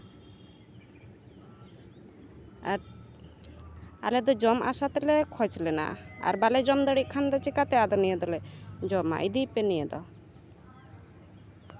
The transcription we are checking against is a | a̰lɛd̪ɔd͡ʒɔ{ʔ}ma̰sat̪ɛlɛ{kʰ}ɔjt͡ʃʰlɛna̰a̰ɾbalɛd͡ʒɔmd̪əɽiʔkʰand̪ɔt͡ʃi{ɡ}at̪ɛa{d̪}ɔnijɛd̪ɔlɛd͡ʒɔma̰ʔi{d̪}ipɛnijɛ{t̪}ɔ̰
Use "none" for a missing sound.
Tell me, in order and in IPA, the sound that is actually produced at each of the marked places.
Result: none, kʰ, k, d̪, d̪, d̪

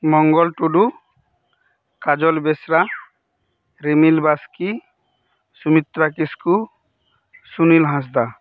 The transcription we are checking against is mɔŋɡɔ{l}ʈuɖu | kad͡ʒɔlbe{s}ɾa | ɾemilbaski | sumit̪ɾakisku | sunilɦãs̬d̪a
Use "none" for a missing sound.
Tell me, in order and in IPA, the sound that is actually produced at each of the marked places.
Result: l, s

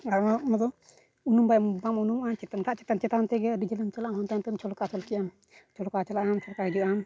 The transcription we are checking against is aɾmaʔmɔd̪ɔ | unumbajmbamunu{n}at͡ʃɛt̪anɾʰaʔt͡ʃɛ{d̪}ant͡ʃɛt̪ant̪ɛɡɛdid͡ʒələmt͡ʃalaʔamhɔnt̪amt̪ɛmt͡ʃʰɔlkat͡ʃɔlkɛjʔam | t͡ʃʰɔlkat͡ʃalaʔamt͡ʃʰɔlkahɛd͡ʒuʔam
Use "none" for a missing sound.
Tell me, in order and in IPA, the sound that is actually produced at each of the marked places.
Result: m, t̪

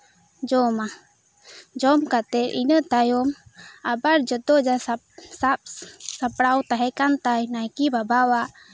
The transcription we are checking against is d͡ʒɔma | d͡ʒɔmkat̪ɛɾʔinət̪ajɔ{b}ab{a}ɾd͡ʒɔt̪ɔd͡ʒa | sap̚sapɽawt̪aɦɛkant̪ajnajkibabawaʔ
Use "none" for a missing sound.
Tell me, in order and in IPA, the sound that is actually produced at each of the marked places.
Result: m, a

